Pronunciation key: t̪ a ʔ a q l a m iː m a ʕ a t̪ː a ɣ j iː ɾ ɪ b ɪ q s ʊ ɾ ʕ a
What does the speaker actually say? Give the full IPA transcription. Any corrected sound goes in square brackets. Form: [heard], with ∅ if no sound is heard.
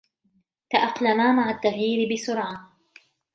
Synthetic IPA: t̪ a ʔ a q l a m [aː] m a ʕ a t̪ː a ɣ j iː ɾ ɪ b ɪ [∅] s ʊ ɾ ʕ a

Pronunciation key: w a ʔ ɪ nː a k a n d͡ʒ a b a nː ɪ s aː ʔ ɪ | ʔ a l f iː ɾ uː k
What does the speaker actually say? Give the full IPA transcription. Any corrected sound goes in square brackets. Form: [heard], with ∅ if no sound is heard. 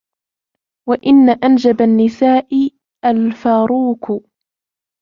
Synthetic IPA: w a ʔ ɪ nː a [ʔ] a n d͡ʒ a b a nː ɪ s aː ʔ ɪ | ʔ a l f [aː] ɾ uː k

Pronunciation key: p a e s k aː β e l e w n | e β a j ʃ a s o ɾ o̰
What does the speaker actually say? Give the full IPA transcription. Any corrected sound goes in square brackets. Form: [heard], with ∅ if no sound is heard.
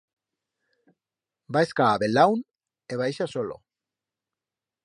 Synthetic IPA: [b] a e s k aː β e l [a] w n | e β a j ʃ a s o [l] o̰

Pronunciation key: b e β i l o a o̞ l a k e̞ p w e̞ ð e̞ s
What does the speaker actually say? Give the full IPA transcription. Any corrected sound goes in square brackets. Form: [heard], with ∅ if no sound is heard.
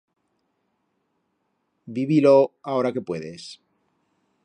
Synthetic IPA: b [i] β i l o a o̞ [ɾ] a k e̞ p w e̞ ð e̞ s

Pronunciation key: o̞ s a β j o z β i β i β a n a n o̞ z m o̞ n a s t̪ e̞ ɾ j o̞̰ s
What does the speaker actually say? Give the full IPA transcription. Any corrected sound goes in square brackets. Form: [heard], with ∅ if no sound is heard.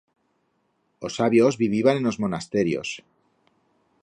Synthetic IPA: o̞ s a β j o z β i β i β a n [e] n o̞ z m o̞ n a s t̪ e̞ ɾ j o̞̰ s

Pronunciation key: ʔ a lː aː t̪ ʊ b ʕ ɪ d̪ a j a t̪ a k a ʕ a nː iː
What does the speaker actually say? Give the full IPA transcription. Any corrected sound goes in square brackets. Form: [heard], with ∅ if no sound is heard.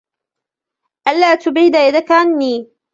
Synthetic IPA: ʔ a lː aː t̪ ʊ b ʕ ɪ d̪ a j a [d̪] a k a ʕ a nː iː

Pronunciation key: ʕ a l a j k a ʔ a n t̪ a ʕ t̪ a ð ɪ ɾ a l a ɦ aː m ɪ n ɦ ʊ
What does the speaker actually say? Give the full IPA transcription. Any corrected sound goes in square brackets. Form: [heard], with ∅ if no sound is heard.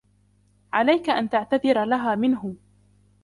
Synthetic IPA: ʕ a l a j k a ʔ a n t̪ a ʕ t̪ a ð ɪ ɾ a l a ɦ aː m ɪ n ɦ ʊ

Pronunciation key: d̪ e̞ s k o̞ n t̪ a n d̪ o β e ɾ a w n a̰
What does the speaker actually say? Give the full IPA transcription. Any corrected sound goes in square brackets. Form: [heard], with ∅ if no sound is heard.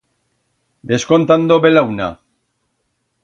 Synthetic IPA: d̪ e̞ s k o̞ n t̪ a n d̪ o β e [l] a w n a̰

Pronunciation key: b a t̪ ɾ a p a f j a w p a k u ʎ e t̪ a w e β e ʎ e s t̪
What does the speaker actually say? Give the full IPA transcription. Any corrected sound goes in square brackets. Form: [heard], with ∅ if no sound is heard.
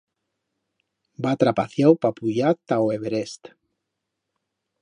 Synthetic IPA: b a t̪ ɾ a p a [θ] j a w p a [p] u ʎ [a] t̪ a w e β e [ɾ] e s t̪

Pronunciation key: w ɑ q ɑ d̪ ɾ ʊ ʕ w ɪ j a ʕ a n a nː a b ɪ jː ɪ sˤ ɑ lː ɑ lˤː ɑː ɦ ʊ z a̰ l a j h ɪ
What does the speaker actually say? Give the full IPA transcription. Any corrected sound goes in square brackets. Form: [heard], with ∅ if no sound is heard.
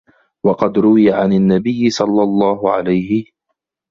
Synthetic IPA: w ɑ q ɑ d̪ ɾ ʊ [∅] w ɪ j a ʕ a n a nː a b ɪ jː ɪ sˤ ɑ lː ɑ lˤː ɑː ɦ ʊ [ʕ] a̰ l a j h ɪ

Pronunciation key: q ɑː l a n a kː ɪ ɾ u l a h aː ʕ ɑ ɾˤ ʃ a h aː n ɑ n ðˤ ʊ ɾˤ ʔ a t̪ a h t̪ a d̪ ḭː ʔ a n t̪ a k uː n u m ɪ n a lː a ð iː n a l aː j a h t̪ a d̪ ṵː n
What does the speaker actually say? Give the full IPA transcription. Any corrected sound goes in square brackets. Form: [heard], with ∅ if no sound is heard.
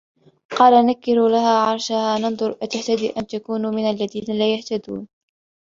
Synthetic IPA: q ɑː l a n a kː ɪ ɾ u l a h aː ʕ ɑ ɾˤ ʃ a h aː n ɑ n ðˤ ʊ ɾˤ ʔ a t̪ a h t̪ a d̪ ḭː ʔ a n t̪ a k uː n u m ɪ n a lː a ð iː n a l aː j a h t̪ a d̪ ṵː n

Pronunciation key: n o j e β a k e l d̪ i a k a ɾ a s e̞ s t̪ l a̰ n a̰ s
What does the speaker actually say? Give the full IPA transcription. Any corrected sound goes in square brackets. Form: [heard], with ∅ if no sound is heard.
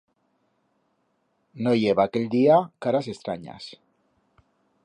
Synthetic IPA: n o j e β a k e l d̪ i a k a ɾ a s e̞ s t̪ [ɾ] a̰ [ɲ] a̰ s

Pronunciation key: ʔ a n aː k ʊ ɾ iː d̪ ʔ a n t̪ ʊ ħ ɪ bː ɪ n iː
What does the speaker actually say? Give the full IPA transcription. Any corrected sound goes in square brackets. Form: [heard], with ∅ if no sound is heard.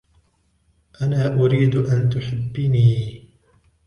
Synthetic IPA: ʔ a n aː [ʔ] ʊ ɾ iː d̪ ʔ a n t̪ ʊ ħ ɪ bː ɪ n iː

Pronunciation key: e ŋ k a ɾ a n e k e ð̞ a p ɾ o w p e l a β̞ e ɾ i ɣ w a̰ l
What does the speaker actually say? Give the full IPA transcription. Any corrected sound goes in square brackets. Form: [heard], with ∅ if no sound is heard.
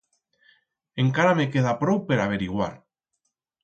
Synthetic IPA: e ŋ k a ɾ a [m] e k e ð̞ a p ɾ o w p e [ɾ] a β̞ e ɾ i ɣ w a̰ [ɾ]

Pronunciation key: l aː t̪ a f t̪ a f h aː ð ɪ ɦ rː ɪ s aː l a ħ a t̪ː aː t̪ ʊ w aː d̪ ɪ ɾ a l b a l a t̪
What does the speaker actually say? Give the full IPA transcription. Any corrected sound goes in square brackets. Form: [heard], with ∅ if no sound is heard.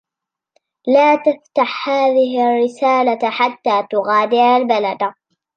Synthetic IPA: l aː t̪ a f t̪ a [ħ] h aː ð ɪ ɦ rː ɪ s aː l a ħ a t̪ː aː t̪ ʊ [ɣ] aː d̪ ɪ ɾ a l b a l a [d̪]

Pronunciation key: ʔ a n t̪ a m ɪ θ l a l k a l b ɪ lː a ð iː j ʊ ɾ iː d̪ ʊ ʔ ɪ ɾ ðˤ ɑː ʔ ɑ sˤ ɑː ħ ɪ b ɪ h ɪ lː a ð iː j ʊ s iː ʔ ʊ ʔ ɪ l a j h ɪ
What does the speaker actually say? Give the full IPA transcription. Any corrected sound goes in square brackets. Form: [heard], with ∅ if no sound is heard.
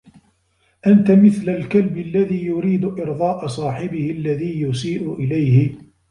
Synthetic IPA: ʔ a n t̪ a m ɪ θ l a l k a l b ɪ lː a ð iː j ʊ ɾ iː d̪ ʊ ʔ ɪ ɾ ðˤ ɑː ʔ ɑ sˤ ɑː ħ ɪ b ɪ h ɪ lː a ð iː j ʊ s iː ʔ ʊ ʔ ɪ l a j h ɪ

